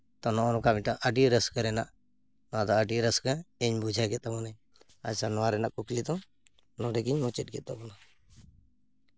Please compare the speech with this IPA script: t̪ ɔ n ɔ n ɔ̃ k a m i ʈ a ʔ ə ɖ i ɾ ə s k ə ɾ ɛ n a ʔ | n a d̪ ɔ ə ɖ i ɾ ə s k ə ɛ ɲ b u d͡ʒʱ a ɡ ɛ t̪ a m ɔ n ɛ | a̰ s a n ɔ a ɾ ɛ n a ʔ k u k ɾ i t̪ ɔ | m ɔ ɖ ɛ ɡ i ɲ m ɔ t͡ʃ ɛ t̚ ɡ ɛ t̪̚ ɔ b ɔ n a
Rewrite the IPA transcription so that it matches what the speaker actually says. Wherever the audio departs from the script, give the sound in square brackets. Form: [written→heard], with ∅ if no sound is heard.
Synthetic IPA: t̪ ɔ n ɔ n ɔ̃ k a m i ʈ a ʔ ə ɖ i ɾ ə s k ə ɾ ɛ n a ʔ | n a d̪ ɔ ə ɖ i ɾ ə s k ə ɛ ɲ b u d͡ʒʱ a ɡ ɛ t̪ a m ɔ n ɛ | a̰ s a n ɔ a ɾ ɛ n a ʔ k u k [ɾ→l] i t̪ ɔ | [m→n] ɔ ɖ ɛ ɡ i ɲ m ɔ t͡ʃ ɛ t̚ ɡ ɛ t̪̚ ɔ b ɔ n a

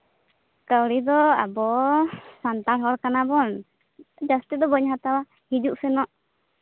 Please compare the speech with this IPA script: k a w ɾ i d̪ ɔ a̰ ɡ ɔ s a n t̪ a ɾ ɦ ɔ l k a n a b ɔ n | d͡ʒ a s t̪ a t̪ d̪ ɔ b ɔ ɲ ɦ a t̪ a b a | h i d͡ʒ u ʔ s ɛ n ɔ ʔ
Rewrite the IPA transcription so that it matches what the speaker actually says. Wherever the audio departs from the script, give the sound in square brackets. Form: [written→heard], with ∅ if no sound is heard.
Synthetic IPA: k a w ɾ i d̪ ɔ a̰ [ɡ→b] ɔ s a n t̪ a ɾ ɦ ɔ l k a n a b ɔ n | d͡ʒ a s t̪ [a→i] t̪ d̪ ɔ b ɔ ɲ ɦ a t̪ a [b→w] a | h i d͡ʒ u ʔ s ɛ n ɔ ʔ

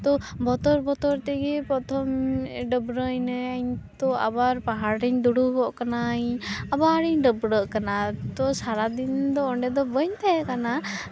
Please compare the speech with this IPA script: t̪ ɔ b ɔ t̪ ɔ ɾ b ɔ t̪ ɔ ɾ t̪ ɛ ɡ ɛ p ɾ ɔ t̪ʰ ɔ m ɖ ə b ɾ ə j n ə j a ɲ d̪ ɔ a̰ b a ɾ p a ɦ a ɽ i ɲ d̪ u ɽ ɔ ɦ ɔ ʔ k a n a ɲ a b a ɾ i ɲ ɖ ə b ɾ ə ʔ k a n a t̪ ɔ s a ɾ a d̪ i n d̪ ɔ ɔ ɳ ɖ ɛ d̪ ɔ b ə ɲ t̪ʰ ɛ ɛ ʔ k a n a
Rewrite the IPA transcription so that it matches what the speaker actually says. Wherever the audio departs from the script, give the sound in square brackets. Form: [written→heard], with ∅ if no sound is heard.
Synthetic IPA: t̪ ɔ b ɔ t̪ ɔ ɾ b ɔ t̪ ɔ ɾ t̪ ɛ ɡ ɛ p ɾ ɔ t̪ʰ ɔ m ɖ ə b ɾ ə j n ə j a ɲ [d̪→t̪] ɔ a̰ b a ɾ p a ɦ a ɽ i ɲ d̪ u ɽ [ɔ→u] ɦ ɔ ʔ k a n a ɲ a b a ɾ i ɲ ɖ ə b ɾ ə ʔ k a n a t̪ ɔ s a ɾ a d̪ i n d̪ ɔ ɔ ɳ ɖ ɛ d̪ ɔ b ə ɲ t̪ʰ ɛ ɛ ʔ k a n a

